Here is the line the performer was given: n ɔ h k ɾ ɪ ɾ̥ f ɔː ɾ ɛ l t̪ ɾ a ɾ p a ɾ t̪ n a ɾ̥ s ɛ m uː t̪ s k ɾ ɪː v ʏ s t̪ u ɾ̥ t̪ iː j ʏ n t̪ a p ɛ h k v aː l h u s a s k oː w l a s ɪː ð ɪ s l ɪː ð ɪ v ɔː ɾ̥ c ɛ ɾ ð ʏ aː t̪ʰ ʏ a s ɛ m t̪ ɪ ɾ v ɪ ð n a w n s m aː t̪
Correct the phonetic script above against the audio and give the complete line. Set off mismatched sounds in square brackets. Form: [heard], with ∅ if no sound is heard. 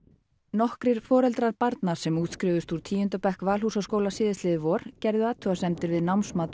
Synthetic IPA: n ɔ h k ɾ ɪ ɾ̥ f ɔː ɾ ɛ l t̪ ɾ a ɾ p a ɾ t̪ n a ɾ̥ s ɛ m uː t̪ s k ɾ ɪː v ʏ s t̪ u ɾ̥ [t̪ʰ] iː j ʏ n t̪ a p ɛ h k v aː l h u s a s k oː w l a s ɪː ð ɪ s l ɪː ð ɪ v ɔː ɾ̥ c ɛ ɾ ð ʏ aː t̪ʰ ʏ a s ɛ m t̪ ɪ ɾ v ɪ ð n a w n s m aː t̪